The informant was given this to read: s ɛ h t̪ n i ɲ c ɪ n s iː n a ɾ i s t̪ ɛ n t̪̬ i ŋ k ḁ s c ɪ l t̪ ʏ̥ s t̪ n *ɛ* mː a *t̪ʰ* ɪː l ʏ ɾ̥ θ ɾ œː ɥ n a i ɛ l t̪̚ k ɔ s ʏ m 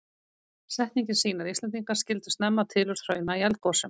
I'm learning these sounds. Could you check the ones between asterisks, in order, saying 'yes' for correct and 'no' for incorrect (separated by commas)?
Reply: yes, yes